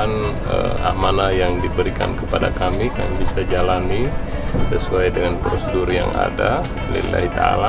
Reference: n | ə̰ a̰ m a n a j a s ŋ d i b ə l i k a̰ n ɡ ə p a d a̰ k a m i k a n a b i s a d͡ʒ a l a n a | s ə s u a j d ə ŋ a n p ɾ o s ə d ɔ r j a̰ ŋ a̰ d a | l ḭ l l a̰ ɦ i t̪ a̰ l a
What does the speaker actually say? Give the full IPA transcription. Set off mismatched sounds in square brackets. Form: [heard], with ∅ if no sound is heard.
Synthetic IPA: n | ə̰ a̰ m a n a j a [∅] ŋ d i b ə [ɾ] i k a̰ n [k] ə p a d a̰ k a m i k a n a b i s a d͡ʒ a l a n [i] | s ə s u a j d ə ŋ a n p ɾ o s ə d [u] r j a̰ ŋ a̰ d a | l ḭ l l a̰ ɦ i t̪ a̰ l a